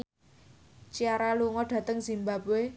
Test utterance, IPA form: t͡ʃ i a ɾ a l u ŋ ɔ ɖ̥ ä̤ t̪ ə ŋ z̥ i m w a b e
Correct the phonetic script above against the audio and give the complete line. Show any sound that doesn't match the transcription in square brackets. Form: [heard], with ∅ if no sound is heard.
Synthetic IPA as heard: t͡ʃ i a ɾ a l u ŋ ɔ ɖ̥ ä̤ t̪ ə ŋ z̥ i m [b] a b e